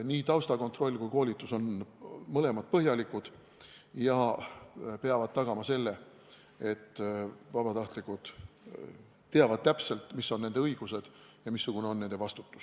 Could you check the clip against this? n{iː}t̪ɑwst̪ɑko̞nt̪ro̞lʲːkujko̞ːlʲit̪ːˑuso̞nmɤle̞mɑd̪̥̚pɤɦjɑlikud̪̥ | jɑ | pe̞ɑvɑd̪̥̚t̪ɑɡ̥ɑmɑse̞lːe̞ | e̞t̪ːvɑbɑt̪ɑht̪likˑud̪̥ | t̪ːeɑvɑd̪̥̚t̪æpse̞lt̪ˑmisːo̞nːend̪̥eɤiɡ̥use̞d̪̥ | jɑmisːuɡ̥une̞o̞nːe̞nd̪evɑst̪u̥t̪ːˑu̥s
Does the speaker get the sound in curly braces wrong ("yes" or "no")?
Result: no